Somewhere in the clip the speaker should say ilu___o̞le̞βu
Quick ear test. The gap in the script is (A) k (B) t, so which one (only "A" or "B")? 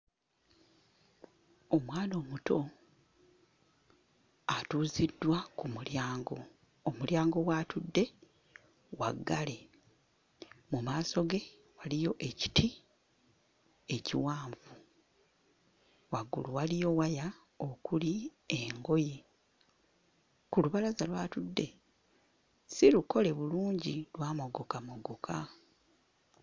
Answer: A